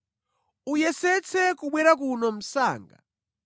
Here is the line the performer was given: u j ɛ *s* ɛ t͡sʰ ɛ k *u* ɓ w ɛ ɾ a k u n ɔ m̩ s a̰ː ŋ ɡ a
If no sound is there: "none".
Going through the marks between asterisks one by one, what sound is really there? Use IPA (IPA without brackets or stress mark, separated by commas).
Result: s, u